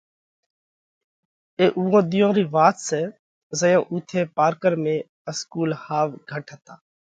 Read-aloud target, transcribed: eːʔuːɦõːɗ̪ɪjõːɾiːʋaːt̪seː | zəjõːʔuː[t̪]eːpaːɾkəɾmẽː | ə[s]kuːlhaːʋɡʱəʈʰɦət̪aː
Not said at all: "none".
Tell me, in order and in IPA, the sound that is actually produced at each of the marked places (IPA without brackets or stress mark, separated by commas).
t̪ʰ, s